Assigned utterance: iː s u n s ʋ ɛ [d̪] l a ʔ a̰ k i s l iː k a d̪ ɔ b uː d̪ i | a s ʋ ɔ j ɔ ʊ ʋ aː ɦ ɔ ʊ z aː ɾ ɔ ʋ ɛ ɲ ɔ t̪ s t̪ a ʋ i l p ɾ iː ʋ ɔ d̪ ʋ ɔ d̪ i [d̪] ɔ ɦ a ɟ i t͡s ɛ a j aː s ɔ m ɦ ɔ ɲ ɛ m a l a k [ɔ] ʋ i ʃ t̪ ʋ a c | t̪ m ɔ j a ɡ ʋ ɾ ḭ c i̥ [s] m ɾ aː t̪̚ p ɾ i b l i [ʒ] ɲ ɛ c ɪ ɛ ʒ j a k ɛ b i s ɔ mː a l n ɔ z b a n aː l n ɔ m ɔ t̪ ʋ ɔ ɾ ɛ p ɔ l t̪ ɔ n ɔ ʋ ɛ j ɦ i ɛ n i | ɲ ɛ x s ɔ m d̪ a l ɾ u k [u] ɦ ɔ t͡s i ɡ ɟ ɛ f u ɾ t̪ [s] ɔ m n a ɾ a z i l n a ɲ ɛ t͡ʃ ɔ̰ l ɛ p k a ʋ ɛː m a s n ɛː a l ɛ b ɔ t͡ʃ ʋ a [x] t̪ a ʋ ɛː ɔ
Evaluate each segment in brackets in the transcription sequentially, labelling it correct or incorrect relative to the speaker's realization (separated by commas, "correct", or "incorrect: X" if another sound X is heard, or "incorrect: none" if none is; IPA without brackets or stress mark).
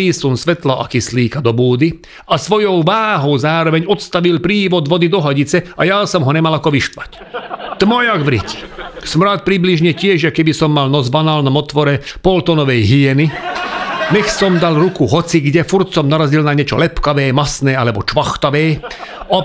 incorrect: t̪, correct, correct, correct, correct, correct, correct, correct